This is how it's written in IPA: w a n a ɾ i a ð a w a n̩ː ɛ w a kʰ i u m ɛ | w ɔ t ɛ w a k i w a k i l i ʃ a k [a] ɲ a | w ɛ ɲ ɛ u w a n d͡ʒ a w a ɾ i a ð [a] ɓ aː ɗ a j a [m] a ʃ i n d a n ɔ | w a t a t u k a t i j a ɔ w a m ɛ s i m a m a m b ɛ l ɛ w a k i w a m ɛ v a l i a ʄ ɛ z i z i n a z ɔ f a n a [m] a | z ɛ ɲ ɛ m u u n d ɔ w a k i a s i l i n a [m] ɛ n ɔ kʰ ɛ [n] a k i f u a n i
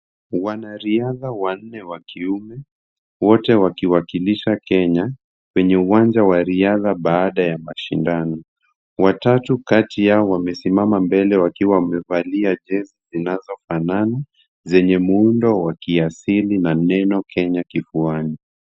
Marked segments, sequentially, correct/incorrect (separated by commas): incorrect, correct, correct, incorrect, incorrect, incorrect